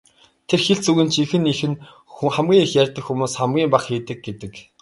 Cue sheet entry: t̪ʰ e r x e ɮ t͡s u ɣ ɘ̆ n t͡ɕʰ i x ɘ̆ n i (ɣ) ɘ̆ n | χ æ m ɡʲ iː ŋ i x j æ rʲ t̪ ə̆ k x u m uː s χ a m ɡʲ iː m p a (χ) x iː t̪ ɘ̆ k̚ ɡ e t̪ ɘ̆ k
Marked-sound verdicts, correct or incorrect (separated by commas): incorrect, correct